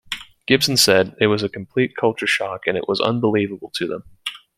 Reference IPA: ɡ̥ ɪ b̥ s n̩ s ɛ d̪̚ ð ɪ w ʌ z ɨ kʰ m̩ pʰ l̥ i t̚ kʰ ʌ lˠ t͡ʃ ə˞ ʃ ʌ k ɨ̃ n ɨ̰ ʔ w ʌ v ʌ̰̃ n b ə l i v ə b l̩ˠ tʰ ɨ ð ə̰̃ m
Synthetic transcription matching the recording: ɡ̥ ɪ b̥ s n̩ s ɛ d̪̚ ð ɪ w ʌ z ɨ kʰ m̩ pʰ l̥ i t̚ kʰ ʌ lˠ t͡ʃ ə˞ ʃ ɑ k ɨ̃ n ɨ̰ ʔ w ʌ z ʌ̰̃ n b ə l i v ə b l̩ˠ tʰ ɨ ð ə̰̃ m